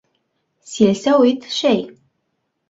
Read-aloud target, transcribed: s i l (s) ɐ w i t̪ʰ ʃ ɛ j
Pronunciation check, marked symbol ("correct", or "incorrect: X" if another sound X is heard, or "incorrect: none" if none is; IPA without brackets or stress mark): correct